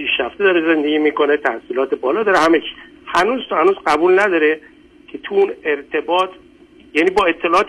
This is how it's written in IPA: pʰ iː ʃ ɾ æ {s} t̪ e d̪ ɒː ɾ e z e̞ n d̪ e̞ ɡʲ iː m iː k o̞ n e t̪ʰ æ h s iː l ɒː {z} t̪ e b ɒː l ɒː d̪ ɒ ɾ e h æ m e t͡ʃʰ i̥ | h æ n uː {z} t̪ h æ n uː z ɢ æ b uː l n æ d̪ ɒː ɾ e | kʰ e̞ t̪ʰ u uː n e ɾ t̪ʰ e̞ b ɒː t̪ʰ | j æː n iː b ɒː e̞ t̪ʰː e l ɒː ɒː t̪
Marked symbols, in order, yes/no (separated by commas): no, no, yes